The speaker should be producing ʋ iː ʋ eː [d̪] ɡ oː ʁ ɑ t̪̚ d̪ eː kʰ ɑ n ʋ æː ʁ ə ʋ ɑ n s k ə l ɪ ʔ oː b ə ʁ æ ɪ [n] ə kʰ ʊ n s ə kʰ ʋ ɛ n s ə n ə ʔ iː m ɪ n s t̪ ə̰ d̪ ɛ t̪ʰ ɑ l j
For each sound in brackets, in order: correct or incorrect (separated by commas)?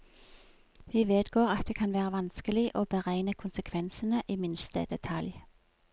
correct, correct